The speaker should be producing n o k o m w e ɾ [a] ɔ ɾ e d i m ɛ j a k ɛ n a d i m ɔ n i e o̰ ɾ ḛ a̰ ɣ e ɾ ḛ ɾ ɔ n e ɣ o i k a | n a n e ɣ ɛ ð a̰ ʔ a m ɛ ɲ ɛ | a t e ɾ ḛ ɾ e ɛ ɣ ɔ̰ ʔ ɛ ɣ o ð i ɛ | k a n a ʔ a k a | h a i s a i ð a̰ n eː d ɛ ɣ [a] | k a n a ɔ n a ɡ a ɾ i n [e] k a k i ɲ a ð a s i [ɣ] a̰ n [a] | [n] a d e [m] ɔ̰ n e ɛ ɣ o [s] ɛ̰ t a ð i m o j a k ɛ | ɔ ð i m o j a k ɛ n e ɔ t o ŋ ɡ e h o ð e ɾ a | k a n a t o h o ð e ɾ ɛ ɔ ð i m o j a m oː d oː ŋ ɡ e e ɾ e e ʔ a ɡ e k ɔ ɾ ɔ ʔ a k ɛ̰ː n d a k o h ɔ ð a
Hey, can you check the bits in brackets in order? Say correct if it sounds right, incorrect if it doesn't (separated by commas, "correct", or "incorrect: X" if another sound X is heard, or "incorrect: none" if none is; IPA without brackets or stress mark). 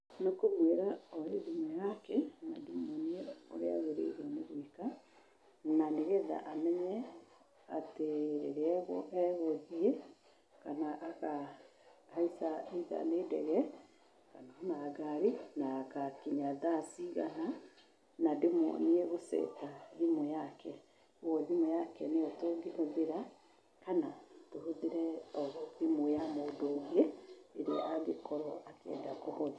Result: correct, incorrect: ɛ, incorrect: a, correct, correct, correct, correct, correct